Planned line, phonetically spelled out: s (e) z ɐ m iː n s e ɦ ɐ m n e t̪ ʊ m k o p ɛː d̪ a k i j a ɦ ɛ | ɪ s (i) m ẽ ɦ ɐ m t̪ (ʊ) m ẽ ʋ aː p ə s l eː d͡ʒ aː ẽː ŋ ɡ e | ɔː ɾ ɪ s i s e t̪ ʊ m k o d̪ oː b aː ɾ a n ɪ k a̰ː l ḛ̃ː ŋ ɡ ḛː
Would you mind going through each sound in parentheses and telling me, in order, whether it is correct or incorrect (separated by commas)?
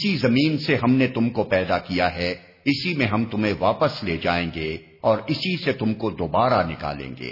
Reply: incorrect, correct, correct